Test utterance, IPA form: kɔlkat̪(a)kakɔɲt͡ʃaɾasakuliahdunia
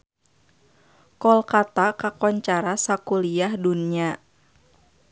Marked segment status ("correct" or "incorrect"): correct